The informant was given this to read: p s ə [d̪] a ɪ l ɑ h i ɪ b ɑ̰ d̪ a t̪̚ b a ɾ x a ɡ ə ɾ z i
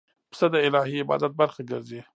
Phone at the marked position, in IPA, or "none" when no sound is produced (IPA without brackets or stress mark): d̪